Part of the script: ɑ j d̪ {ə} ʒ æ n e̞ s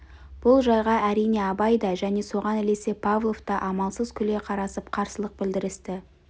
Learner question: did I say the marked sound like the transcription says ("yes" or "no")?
no